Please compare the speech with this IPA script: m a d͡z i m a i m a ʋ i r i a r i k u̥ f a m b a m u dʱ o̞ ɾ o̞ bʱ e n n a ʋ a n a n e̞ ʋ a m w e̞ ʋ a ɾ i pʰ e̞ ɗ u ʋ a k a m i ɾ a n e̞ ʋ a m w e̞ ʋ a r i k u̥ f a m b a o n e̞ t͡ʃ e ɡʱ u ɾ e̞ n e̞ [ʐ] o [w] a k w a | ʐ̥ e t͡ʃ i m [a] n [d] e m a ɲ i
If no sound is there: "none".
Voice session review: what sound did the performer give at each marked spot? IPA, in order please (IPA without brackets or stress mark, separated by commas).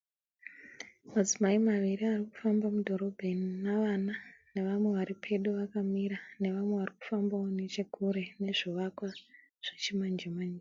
ʐ, ʋ, a, d͡ʒ